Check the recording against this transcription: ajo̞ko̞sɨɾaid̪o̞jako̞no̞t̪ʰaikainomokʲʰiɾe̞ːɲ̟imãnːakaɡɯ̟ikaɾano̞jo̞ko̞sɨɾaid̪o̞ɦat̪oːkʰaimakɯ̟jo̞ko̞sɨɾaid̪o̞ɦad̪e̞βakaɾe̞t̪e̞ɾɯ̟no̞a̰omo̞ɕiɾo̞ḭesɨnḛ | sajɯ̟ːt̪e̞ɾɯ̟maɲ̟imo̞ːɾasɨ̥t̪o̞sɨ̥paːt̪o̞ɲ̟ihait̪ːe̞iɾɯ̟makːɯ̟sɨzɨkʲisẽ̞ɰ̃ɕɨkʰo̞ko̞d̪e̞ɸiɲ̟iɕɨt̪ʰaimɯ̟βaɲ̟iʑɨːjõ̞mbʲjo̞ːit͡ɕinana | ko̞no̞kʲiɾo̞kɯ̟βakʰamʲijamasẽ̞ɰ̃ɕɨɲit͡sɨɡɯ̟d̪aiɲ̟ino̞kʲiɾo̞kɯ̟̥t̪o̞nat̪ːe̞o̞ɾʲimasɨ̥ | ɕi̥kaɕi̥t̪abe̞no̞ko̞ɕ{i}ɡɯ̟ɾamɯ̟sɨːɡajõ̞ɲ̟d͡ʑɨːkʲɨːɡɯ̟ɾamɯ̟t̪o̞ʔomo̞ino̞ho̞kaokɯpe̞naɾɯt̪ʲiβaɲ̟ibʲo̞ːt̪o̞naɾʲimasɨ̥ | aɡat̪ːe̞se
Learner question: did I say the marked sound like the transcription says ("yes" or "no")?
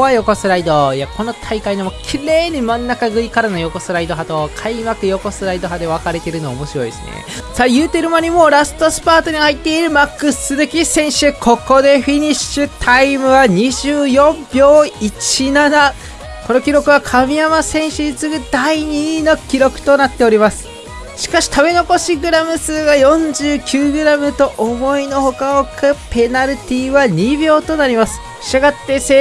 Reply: yes